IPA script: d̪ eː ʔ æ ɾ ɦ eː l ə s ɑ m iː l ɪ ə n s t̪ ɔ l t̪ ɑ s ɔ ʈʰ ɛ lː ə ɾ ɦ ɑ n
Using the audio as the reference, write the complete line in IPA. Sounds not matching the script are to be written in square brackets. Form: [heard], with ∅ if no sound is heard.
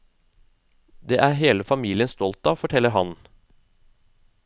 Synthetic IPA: d̪ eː ʔ æ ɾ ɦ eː l ə [f] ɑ m iː l ɪ ə n s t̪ ɔ l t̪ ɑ [f] ɔ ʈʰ ɛ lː ə ɾ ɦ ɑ n